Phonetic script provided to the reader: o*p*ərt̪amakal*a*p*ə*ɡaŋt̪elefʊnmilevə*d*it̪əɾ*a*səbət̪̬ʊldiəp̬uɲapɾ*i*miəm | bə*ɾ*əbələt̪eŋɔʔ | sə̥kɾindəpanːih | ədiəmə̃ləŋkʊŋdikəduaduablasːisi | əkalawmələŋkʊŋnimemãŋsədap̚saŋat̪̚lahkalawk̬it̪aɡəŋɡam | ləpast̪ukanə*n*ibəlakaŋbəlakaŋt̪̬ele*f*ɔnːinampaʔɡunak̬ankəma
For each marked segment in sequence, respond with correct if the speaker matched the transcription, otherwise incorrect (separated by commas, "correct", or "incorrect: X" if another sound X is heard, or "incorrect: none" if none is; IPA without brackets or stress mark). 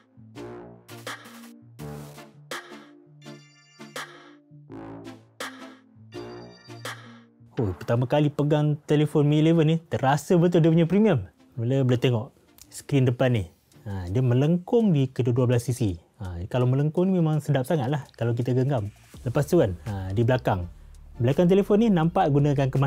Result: correct, incorrect: i, correct, incorrect: n, correct, correct, incorrect: l, incorrect: d, correct